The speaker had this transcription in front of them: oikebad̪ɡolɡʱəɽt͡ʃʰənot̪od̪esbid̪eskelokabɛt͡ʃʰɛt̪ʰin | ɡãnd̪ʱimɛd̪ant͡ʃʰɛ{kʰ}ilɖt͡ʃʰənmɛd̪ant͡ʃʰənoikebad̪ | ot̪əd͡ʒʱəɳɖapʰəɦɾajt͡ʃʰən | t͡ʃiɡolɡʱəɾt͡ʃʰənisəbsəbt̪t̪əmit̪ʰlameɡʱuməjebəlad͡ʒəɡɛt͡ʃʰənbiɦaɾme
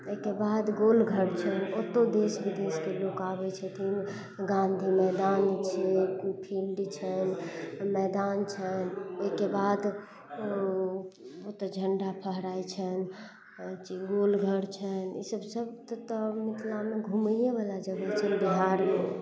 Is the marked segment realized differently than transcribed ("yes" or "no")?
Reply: yes